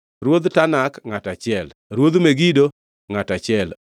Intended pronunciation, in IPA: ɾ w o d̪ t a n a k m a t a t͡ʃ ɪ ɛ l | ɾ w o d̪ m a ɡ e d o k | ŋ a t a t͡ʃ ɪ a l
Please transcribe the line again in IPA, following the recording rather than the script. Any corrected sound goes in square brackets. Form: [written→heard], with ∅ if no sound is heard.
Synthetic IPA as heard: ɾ w o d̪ t a n a k [m→ŋ] a t a t͡ʃ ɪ ɛ l | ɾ w o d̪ m [a→e] ɡ [e→i] d o [k→∅] | ŋ a t a t͡ʃ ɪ [a→ɛ] l